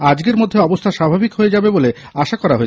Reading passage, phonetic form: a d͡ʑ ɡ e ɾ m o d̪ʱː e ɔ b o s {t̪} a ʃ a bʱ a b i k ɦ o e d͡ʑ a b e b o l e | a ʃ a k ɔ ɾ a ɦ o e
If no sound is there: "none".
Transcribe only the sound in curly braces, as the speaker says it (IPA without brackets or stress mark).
t̪ʰ